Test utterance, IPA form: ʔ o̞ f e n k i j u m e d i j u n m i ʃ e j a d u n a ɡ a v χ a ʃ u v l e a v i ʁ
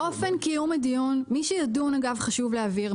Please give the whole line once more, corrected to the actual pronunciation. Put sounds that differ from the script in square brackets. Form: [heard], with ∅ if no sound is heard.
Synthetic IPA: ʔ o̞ f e n k i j u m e d i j u n m i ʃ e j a d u n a ɡ a v χ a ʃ u v l e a v i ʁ